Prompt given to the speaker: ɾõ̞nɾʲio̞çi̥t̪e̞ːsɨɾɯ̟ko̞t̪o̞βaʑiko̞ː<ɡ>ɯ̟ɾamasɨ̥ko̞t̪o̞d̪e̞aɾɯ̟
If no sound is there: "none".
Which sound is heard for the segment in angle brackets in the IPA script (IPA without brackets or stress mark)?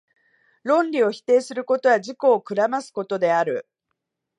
k